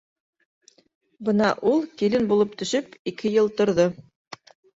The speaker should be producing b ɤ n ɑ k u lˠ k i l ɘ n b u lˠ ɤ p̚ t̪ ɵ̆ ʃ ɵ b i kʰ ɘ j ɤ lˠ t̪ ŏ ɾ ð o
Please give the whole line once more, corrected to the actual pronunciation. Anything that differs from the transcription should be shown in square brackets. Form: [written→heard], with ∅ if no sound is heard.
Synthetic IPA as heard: b ɤ n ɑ [k→ʔ] u lˠ k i l ɘ n b u lˠ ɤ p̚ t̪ ɵ̆ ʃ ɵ [b→p] i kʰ ɘ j ɤ lˠ t̪ ŏ ɾ ð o